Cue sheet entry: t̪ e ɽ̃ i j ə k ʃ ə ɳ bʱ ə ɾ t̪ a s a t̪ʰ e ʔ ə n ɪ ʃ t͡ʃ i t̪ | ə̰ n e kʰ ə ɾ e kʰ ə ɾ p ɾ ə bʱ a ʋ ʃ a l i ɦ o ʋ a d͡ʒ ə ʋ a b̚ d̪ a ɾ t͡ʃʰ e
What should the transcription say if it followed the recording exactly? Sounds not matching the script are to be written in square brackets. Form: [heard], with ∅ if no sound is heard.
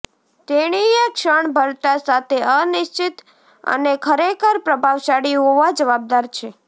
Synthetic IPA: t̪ e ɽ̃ i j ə k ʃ ə ɳ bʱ ə ɾ t̪ a s a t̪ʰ e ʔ ə n ɪ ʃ t͡ʃ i t̪ | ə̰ n e kʰ ə ɾ e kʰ ə ɾ p ɾ ə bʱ a ʋ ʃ a [ɽ] i ɦ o ʋ a d͡ʒ ə ʋ a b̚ d̪ a ɾ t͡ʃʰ e